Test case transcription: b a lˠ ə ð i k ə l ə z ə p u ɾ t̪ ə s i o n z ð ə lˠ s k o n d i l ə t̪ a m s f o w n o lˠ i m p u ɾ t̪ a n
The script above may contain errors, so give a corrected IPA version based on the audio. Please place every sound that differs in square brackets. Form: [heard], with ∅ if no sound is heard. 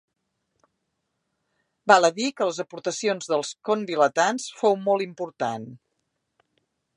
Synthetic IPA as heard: b a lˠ ə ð i k ə l ə z ə p u ɾ t̪ ə s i o n z ð ə lˠ s k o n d i l ə t̪ a [n] s f o w [m] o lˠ i m p u ɾ t̪ a n